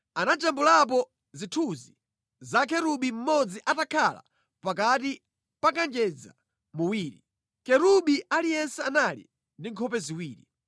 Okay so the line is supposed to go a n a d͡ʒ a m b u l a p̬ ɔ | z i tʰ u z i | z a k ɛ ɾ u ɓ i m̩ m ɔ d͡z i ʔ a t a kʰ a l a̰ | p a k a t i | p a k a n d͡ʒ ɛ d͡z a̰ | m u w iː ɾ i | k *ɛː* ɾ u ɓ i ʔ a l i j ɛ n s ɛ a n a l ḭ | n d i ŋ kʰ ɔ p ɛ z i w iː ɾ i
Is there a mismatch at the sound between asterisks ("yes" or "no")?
yes